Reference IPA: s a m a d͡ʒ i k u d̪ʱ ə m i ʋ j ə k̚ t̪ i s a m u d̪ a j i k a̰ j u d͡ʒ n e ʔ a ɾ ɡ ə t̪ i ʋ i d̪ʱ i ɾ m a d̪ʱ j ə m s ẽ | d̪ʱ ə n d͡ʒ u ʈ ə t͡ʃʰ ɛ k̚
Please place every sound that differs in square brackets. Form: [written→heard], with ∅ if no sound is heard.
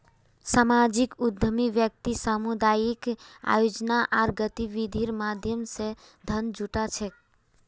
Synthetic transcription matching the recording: s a m a d͡ʒ i k u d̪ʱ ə m i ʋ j ə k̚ t̪ i s a m u d̪ a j i k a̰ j [u→o] d͡ʒ n [e→a] ʔ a ɾ ɡ ə t̪ i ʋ i d̪ʱ i ɾ m a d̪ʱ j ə m s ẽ | d̪ʱ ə n d͡ʒ u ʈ [ə→a] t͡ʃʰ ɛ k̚